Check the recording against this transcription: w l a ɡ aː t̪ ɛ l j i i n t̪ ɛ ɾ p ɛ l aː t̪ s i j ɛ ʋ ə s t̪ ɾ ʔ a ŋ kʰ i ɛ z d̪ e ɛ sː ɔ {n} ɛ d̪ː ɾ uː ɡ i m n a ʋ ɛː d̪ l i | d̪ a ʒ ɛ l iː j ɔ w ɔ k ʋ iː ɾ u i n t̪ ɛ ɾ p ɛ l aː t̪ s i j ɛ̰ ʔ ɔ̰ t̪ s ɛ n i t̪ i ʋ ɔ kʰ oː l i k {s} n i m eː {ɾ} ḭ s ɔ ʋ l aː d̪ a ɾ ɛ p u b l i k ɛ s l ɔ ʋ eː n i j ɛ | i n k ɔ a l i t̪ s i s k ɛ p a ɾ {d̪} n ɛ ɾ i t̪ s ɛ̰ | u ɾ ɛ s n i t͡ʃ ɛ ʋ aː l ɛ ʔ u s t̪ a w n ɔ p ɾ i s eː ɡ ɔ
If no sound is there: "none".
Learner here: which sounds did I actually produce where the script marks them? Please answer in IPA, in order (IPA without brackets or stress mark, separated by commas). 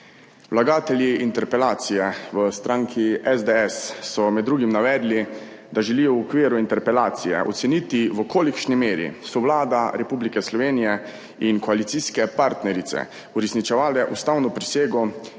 m, ʃ, ɾ, t̪